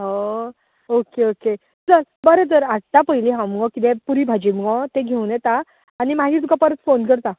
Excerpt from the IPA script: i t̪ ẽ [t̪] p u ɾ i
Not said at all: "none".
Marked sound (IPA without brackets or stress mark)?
none